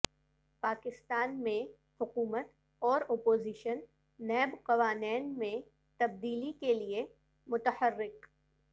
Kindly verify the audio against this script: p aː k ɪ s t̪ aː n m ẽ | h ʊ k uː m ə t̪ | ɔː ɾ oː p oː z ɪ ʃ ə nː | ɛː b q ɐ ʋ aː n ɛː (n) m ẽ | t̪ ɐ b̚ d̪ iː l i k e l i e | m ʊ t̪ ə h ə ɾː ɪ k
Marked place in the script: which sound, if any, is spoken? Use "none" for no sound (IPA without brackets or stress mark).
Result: n